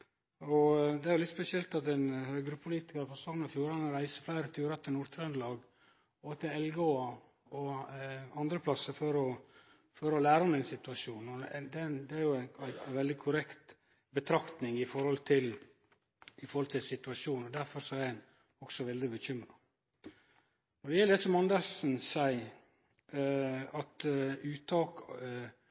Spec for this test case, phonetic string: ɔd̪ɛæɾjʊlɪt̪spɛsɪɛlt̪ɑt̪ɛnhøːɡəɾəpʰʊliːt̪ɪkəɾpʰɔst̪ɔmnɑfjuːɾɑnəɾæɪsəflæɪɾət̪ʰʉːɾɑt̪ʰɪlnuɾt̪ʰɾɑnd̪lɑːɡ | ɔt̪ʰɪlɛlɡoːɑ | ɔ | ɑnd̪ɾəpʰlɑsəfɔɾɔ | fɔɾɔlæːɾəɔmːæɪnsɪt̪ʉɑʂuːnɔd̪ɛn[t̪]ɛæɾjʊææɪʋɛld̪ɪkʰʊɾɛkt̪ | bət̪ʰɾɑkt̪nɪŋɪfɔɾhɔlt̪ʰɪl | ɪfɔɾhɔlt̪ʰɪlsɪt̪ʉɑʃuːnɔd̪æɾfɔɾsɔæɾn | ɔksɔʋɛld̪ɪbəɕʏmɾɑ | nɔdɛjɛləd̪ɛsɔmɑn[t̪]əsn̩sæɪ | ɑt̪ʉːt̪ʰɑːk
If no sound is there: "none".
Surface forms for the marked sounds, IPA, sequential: d̪, d̪

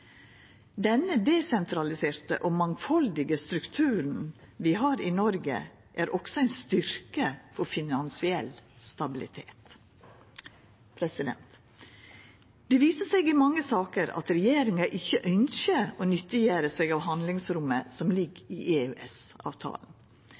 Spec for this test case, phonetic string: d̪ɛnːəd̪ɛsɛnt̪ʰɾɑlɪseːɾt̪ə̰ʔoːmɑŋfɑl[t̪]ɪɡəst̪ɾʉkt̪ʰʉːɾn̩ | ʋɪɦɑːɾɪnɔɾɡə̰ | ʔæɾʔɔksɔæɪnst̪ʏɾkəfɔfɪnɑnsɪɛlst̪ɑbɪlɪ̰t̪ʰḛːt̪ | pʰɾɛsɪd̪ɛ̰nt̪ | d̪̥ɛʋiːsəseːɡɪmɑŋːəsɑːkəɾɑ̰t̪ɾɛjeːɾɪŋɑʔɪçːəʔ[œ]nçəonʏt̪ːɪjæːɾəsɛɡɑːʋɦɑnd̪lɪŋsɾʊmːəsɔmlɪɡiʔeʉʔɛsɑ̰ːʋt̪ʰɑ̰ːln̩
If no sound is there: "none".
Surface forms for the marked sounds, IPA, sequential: d̪, œ

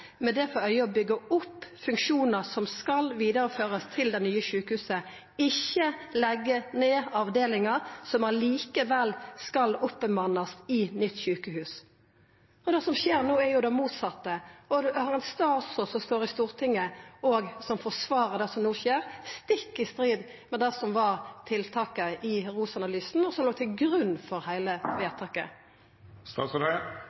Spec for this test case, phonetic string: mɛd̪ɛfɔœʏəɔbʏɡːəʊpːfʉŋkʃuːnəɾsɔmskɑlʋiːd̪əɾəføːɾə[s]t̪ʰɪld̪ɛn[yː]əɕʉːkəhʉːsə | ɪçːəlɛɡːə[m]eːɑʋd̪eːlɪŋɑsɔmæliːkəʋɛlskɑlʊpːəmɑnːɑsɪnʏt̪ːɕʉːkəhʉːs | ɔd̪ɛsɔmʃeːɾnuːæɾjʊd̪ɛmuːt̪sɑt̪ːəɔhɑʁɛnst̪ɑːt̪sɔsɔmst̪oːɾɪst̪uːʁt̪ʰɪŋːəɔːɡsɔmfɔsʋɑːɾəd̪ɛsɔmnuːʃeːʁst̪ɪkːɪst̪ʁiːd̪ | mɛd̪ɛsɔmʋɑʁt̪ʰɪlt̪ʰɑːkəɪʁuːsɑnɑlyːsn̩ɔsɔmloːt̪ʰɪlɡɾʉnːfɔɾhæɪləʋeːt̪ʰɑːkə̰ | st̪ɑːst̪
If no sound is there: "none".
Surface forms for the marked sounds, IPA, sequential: s, yː, n

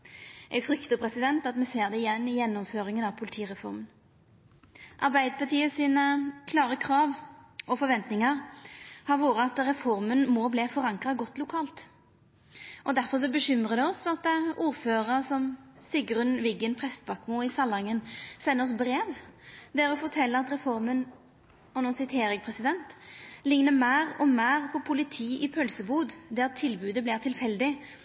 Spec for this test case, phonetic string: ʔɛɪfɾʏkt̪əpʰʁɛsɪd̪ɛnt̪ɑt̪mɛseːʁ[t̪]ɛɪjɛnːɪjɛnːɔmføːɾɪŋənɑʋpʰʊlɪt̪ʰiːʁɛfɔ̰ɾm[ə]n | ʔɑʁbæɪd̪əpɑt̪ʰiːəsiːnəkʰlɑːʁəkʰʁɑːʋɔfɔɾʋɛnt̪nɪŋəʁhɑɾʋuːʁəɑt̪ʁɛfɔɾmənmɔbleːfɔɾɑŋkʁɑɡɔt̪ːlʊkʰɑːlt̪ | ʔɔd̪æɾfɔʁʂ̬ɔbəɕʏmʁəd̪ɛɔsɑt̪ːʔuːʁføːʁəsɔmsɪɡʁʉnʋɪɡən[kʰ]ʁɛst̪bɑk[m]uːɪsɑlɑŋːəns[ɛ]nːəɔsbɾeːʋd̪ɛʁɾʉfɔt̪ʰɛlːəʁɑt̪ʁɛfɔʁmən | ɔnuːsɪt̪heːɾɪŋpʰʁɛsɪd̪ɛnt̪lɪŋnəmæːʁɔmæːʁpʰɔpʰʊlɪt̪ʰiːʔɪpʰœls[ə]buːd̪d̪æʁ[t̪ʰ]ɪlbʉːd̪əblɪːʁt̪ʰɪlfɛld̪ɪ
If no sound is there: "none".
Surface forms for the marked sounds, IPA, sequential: d̪, ə, pʰ, m, ɛ, ə, t̪ʰ

